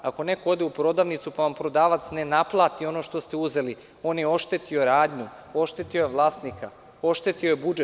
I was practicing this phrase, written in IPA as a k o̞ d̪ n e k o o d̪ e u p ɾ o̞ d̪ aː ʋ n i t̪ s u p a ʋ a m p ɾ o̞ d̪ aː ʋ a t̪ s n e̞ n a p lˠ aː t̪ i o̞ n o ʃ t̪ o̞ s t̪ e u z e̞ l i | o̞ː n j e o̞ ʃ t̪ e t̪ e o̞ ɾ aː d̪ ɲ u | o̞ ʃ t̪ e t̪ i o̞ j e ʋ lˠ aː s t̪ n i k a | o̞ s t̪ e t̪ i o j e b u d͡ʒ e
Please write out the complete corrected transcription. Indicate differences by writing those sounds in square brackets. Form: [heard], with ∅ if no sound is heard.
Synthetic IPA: a k o̞ [∅] n e k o o d̪ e u p ɾ o̞ d̪ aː ʋ n i t̪ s u p a ʋ a m p ɾ o̞ d̪ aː ʋ a t̪ s n e̞ n a p lˠ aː t̪ i o̞ n o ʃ t̪ o̞ s t̪ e u z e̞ l i | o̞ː n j e o̞ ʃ t̪ e t̪ [i] o̞ ɾ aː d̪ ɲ u | o̞ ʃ t̪ e t̪ i o̞ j e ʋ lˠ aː s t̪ n i k a | o̞ [ʃ] t̪ e t̪ i o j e b u d͡ʒ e

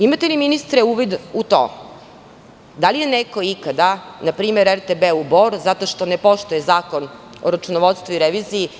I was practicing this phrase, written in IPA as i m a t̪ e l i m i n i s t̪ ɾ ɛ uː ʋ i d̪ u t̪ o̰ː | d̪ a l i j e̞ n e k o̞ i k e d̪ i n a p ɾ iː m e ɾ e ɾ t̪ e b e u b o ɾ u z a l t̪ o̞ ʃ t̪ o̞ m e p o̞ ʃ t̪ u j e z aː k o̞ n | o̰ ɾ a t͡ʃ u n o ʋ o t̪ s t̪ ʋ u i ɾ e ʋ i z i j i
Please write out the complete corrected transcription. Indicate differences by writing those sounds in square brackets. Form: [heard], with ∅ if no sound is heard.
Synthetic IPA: i m a t̪ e l i m i n i s t̪ ɾ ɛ uː ʋ i d̪ u t̪ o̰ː | d̪ a l i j e̞ n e k o̞ i k [a] d̪ [a] n a p ɾ iː m e ɾ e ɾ t̪ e b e u b o ɾ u z a [∅] t̪ o̞ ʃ t̪ o̞ [n] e p o̞ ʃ t̪ u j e z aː k o̞ n | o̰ ɾ a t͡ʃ u n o ʋ o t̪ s t̪ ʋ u i ɾ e ʋ i z i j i

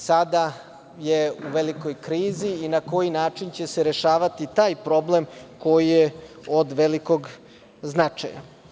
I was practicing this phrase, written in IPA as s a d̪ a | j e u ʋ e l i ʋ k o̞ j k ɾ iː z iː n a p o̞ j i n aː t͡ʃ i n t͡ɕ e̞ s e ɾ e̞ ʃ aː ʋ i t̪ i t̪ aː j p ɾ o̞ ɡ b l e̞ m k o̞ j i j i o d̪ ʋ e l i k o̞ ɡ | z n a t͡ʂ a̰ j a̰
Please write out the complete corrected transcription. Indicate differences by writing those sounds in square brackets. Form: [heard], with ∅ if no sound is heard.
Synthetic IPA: s a d̪ a | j e u ʋ e l i [∅] k o̞ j k ɾ iː z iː n a [k] o̞ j i n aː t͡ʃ i n t͡ɕ e̞ s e ɾ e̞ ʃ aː ʋ [a] t̪ i t̪ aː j p ɾ o̞ [∅] b l e̞ m k o̞ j i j [e] o d̪ ʋ e l i k o̞ ɡ | z n a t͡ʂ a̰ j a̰

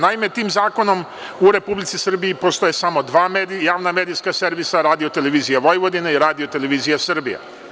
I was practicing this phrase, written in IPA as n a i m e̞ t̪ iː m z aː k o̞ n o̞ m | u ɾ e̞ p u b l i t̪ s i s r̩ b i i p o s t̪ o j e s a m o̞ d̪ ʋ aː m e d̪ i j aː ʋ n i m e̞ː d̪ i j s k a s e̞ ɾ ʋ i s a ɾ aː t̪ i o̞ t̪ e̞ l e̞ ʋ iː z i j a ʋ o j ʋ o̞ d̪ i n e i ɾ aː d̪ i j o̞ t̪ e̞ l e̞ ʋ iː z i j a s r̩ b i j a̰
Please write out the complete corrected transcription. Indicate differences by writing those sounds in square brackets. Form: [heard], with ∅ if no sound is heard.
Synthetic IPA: n a i m e̞ t̪ iː m z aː k o̞ n o̞ m | u ɾ e̞ p u b l i t̪ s i s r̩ b i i p o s t̪ o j e s a m o̞ d̪ ʋ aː m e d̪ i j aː ʋ n [a] m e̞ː d̪ i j s k a s e̞ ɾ ʋ i s a ɾ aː [d̪] i o̞ t̪ e̞ l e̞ ʋ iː z i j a ʋ o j ʋ o̞ d̪ i n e i ɾ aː d̪ i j o̞ t̪ e̞ l e̞ ʋ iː z i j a s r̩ b i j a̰

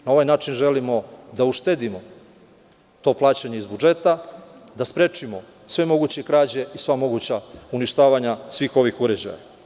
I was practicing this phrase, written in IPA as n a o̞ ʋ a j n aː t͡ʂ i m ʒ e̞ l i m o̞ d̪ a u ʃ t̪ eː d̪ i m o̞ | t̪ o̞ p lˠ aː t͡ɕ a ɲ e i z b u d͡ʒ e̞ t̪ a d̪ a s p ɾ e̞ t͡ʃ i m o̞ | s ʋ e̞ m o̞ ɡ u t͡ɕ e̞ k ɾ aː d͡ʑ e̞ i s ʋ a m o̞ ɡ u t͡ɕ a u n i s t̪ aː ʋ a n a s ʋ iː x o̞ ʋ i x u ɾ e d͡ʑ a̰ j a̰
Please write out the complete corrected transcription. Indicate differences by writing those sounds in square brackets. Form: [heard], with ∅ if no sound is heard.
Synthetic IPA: n a o̞ ʋ a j n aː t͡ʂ i [n] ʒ e̞ l i m o̞ d̪ a u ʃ t̪ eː d̪ i m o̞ | t̪ o̞ p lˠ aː t͡ɕ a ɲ e i z b u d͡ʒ e̞ t̪ a d̪ a s p ɾ e̞ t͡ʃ i m o̞ | s ʋ e̞ m o̞ ɡ u t͡ɕ e̞ k ɾ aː d͡ʑ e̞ i s ʋ a m o̞ ɡ u t͡ɕ a u n i [ʃ] t̪ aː ʋ a [ɲ] a s ʋ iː x o̞ ʋ i x u ɾ e d͡ʑ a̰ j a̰

